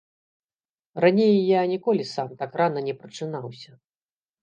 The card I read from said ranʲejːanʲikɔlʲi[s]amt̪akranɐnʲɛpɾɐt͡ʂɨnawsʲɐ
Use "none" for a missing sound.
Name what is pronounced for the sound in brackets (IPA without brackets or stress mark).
s